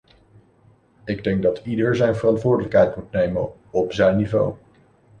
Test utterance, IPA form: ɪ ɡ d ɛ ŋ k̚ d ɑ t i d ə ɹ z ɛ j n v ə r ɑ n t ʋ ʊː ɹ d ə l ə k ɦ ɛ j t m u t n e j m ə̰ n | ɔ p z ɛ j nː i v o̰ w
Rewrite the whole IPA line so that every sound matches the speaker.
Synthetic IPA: ɪ ɡ d ɛ ŋ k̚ d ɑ t i d ə ɹ z ɛ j n v ə r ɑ n t ʋ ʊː ɹ d ə l ə k ɦ ɛ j t m u t n e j m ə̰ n | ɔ p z ɛ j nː i v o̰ w